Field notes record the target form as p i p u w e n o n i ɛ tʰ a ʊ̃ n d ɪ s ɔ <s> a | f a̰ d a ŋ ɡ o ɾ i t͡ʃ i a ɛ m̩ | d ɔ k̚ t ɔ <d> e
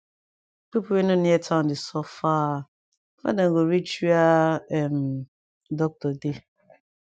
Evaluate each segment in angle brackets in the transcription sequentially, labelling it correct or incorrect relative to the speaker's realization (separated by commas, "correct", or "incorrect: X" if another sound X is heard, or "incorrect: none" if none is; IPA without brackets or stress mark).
incorrect: f, correct